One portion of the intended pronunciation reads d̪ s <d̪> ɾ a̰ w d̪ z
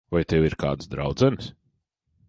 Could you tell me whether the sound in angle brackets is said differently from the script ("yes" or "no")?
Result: no